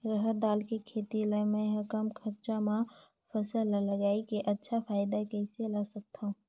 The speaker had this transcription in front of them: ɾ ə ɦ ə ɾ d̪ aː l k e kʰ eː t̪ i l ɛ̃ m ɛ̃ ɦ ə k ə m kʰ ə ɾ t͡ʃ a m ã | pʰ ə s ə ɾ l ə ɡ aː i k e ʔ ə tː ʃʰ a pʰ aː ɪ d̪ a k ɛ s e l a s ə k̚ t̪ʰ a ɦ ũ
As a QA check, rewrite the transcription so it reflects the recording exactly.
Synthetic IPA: ɾ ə ɦ ə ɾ d̪ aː l k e kʰ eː t̪ i l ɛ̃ m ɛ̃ ɦ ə k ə m kʰ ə ɾ t͡ʃ a m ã | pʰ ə s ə l l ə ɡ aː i k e ʔ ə tː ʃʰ a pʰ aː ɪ d̪ a k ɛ s e l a s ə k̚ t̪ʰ a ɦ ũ